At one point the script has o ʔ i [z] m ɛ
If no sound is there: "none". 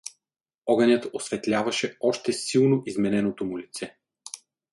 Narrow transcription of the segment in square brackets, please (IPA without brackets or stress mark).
z